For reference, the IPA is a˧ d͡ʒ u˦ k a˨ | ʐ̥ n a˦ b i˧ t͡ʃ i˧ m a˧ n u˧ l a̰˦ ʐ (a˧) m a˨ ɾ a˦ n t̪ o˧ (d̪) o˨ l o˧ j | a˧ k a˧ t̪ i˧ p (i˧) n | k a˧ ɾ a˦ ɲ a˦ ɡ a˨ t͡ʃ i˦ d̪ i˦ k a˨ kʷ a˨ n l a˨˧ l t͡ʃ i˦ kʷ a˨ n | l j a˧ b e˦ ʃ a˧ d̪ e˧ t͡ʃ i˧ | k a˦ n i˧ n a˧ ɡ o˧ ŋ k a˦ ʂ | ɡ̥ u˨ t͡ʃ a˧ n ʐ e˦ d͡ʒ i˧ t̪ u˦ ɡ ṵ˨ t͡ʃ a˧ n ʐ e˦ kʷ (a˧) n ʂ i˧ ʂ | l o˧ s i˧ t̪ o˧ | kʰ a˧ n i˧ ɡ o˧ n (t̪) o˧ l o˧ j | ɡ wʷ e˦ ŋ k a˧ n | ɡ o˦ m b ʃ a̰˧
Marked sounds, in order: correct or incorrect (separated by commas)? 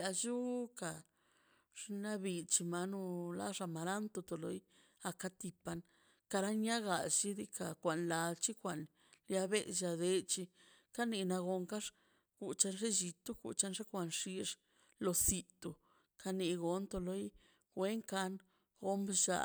correct, incorrect, incorrect, correct, correct